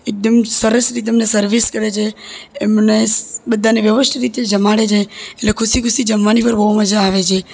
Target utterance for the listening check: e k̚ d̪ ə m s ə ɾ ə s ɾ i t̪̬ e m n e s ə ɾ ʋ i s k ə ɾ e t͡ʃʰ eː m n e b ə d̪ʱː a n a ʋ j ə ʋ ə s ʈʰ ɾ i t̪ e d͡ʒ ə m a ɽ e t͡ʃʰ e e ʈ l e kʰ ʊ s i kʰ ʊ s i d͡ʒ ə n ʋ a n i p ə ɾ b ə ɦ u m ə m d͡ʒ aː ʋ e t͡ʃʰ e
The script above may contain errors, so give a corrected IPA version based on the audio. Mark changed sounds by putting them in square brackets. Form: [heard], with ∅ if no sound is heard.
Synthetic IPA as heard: e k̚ d̪ ə m s ə ɾ ə s ɾ i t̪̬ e m n e s ə ɾ ʋ i s k ə ɾ e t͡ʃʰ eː m n e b ə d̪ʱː a n [e] ʋ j ə ʋ ə s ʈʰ ɾ i t̪ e d͡ʒ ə m a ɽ e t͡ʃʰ e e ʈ l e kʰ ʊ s i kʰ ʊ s i d͡ʒ ə [m] ʋ a n i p ə ɾ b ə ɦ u m ə [∅] d͡ʒ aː ʋ e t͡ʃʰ e